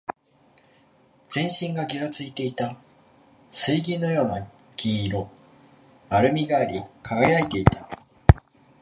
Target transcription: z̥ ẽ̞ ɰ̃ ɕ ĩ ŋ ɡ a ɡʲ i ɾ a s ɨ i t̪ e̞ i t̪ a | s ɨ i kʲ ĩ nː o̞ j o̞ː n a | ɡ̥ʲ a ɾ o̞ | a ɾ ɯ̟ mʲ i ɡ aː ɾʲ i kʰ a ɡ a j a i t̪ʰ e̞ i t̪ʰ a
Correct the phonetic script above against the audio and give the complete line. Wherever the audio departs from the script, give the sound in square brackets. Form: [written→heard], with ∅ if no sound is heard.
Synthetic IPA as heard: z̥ ẽ̞ ɰ̃ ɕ ĩ ŋ ɡ a ɡʲ i ɾ a [s→t͡s] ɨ i t̪ e̞ i t̪ a | s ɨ i [kʲ→ɡʲ] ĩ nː o̞ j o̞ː n a | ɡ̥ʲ [a→i] ɾ o̞ | a ɾ ɯ̟ mʲ i ɡ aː ɾʲ i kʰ a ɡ a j a i [t̪ʰ→t̪] e̞ i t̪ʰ a